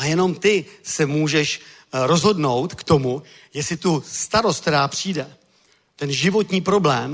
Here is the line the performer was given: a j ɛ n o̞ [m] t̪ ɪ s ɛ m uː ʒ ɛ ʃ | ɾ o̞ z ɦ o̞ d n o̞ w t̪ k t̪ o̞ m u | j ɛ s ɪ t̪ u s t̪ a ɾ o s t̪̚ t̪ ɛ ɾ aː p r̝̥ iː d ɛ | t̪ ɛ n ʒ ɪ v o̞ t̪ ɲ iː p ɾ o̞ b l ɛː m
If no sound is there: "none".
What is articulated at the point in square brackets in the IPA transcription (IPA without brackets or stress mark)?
m